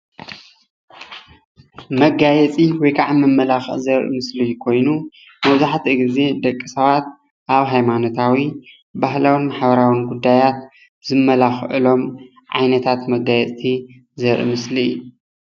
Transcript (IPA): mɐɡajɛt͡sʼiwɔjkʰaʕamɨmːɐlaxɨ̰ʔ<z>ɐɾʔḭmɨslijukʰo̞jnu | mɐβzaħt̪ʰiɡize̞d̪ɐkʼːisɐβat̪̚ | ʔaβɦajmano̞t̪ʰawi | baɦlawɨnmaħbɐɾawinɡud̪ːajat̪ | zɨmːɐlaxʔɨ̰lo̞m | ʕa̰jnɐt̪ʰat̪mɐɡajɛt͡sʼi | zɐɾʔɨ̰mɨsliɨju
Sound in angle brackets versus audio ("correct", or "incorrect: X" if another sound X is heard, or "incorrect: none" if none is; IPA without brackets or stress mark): correct